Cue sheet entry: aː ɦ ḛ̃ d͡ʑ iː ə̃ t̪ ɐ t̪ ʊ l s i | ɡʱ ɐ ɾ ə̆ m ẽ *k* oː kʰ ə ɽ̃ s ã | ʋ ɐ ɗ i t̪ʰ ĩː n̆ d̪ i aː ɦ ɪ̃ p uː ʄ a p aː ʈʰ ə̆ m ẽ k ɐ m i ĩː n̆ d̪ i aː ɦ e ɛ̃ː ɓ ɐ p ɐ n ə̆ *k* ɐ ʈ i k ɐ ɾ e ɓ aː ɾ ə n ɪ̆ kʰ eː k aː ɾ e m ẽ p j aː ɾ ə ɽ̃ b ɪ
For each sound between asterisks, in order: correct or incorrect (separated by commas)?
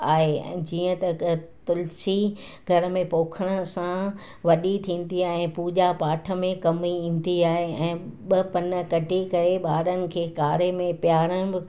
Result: incorrect, correct